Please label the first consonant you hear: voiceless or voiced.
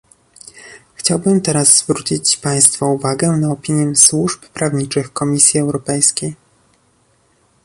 voiceless